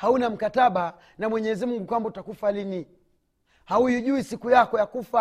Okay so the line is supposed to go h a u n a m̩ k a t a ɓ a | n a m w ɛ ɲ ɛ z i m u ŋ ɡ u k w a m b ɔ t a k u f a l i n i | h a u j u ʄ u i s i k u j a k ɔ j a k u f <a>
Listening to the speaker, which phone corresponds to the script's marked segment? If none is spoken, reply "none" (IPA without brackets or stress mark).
a